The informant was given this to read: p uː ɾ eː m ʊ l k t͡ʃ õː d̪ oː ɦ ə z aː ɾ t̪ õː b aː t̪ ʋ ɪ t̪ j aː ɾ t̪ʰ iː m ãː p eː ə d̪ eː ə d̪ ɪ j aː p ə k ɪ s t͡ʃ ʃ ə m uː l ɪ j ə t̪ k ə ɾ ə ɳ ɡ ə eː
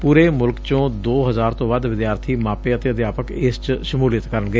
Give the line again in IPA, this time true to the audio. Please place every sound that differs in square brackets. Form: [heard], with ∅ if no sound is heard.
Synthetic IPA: p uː ɾ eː m ʊ l k t͡ʃ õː d̪ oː ɦ ə z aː ɾ t̪ õː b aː [d̪] ʋ ɪ [d̪] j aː ɾ t̪ʰ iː m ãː p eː ə [t̪] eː ə d̪ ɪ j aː p ə k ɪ s t͡ʃ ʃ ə m uː l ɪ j ə t̪ k ə ɾ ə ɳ ɡ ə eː